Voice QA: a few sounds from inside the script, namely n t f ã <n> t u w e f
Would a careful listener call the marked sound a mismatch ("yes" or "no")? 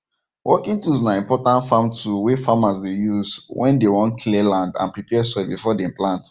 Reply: yes